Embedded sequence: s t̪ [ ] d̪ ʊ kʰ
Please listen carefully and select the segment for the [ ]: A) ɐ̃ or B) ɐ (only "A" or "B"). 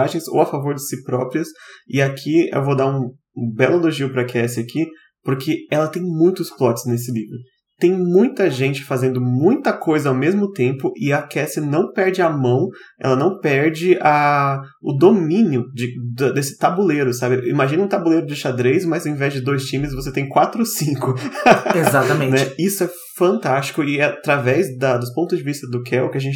B